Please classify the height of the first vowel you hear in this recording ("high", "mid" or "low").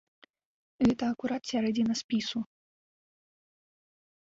mid